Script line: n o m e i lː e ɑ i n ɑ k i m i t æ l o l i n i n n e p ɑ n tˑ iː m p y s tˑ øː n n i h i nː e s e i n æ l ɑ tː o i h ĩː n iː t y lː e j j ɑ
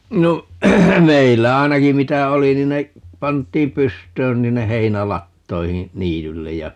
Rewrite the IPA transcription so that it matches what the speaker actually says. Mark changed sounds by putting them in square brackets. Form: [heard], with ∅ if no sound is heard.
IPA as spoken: n o m e i lː [æ] ɑ i n ɑ k i m i t æ [∅] o l i n i n n e p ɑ n tˑ iː m p y s tˑ øː n n i h i nː e [h] e i n æ l ɑ tː o i h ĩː n iː t y lː e j j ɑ